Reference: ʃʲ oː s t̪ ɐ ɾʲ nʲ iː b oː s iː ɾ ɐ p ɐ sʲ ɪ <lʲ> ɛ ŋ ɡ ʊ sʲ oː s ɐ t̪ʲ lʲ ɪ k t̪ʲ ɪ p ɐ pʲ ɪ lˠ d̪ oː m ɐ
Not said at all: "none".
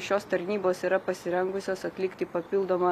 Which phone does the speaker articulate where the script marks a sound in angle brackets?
ɾʲ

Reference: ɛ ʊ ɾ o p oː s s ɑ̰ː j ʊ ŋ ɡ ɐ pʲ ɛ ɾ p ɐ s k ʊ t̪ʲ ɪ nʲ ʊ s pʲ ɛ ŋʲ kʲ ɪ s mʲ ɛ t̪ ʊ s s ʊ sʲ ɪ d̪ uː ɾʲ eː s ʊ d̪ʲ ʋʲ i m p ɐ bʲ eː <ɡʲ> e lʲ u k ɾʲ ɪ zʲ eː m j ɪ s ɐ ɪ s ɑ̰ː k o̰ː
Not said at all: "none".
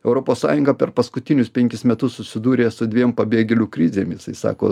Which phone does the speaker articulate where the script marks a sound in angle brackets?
ɡʲ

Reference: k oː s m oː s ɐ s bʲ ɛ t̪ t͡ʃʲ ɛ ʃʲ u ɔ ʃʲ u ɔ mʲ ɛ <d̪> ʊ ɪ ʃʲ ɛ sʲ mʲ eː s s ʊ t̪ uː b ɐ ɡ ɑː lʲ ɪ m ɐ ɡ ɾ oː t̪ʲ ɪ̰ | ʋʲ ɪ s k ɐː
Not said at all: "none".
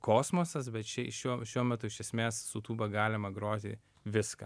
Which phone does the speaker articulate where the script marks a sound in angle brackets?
t̪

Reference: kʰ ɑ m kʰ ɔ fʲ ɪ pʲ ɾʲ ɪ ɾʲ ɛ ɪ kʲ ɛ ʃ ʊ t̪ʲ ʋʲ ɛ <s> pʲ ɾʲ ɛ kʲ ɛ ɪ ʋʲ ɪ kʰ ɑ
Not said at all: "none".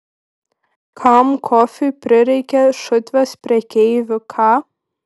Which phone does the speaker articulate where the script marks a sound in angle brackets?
s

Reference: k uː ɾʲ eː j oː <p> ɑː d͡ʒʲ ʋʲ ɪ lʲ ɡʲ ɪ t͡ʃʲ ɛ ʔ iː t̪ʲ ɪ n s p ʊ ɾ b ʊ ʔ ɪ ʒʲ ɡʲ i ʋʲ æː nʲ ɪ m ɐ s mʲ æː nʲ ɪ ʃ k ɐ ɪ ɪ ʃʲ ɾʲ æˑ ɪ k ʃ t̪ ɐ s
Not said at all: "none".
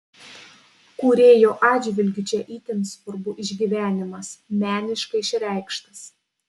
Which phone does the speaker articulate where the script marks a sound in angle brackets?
ʔ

